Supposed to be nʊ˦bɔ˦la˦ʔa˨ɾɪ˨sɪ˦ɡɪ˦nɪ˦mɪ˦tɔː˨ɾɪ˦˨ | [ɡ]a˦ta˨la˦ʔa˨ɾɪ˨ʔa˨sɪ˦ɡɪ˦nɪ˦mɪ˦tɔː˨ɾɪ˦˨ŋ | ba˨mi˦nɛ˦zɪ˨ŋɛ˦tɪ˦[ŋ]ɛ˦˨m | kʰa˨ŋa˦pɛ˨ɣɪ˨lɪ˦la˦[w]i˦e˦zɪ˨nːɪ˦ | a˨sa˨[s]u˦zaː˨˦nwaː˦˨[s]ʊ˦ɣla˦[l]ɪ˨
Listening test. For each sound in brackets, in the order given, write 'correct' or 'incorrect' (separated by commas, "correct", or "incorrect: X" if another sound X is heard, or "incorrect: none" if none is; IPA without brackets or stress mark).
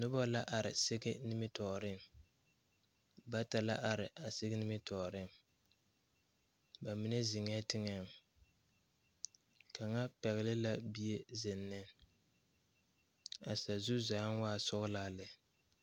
incorrect: b, correct, incorrect: b, incorrect: z, correct, correct